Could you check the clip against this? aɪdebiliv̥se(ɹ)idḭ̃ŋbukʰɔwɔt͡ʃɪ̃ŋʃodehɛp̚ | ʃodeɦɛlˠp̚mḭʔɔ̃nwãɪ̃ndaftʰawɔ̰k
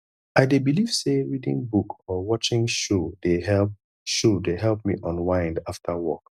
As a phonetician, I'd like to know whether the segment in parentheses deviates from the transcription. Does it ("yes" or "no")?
no